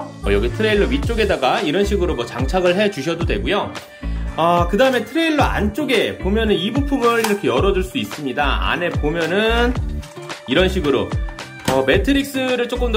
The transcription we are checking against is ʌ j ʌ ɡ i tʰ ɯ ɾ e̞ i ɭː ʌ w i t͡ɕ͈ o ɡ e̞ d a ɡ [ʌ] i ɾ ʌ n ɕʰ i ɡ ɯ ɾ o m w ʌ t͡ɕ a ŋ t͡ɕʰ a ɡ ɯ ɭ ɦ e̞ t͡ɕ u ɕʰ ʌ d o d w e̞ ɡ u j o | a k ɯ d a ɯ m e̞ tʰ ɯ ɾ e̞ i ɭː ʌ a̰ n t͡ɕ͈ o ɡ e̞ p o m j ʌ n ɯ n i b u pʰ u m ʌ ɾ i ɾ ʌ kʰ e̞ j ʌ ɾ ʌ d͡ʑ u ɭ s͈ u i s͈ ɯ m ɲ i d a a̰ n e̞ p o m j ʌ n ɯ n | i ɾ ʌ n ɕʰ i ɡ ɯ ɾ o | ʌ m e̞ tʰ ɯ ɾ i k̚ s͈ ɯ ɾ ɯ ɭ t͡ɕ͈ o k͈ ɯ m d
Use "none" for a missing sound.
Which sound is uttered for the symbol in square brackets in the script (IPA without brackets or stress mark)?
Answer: a